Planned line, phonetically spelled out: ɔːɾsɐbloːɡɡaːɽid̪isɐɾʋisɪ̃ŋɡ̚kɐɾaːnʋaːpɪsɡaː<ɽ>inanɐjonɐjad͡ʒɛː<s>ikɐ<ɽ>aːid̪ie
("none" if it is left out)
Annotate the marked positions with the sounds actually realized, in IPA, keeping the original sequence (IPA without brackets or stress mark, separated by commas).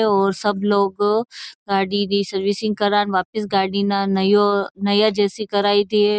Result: ɽ, s, ɾ